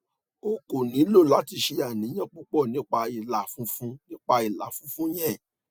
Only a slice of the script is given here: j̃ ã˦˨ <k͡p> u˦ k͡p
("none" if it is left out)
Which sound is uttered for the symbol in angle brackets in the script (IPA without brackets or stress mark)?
k͡p